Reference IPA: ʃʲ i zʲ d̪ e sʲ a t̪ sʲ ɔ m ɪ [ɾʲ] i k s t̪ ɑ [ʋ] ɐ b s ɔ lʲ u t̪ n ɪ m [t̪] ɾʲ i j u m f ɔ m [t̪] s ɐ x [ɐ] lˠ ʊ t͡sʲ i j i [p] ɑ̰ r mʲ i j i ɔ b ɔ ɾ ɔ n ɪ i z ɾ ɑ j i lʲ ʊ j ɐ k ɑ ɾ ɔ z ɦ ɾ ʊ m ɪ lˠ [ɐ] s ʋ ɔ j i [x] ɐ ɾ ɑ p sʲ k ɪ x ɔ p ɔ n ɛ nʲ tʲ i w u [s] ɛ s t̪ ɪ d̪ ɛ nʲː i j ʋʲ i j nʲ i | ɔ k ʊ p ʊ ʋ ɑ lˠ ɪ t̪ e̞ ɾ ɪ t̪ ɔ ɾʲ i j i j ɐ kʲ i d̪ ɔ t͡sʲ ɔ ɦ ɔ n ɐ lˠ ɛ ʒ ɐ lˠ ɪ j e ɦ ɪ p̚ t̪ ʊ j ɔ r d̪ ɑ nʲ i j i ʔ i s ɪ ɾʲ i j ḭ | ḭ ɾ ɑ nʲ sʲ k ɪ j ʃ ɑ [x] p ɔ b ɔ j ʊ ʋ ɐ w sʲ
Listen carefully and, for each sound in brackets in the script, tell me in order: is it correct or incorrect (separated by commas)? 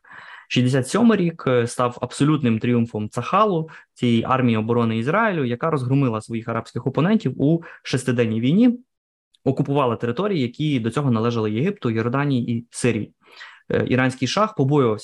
correct, incorrect, correct, correct, incorrect, incorrect, correct, correct, incorrect, correct